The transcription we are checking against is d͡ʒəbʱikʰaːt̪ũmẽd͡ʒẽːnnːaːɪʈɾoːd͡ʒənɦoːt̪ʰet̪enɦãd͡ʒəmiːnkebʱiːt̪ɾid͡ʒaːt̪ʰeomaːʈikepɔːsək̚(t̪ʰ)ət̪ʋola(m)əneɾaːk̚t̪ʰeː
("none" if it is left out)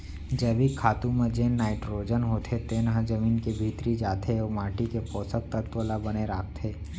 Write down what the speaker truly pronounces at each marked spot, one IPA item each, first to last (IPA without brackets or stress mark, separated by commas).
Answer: t̪, b